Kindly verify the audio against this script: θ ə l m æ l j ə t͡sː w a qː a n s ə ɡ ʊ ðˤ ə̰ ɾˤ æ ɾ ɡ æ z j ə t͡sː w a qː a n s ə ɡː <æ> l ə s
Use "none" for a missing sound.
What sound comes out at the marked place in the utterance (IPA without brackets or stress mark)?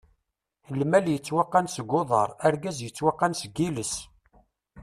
i